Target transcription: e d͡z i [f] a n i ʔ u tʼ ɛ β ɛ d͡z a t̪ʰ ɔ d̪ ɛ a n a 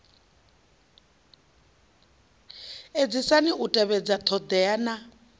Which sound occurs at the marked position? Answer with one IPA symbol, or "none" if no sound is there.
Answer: s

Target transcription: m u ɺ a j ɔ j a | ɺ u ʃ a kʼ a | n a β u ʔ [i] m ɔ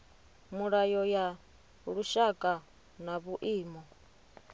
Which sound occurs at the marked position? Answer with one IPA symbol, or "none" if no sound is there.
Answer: iː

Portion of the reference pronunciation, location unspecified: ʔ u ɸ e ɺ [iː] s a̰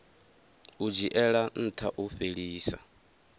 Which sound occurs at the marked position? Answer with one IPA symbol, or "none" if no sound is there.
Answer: iː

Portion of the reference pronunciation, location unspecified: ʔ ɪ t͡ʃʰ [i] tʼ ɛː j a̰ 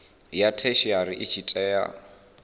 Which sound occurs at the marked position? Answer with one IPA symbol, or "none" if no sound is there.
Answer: i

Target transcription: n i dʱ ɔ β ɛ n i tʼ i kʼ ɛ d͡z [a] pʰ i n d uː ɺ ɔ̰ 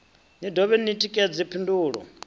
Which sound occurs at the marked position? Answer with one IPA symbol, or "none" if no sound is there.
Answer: i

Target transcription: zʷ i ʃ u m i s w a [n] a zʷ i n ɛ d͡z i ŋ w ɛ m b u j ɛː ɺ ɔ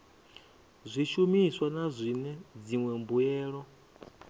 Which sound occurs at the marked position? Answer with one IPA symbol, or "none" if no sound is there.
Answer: n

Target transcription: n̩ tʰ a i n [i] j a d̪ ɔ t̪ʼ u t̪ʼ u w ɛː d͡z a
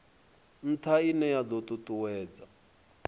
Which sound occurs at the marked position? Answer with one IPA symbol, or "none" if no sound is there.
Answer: ɛ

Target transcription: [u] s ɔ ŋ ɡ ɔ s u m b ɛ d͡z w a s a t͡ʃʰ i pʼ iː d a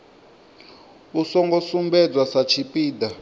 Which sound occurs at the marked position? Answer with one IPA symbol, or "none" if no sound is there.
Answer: u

